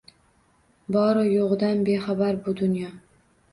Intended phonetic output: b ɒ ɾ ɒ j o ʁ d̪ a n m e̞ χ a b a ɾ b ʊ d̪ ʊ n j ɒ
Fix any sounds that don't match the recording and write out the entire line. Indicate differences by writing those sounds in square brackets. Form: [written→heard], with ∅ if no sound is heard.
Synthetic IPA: b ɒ ɾ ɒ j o ʁ d̪ a n [m→b] e̞ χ a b a ɾ b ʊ d̪ ʊ n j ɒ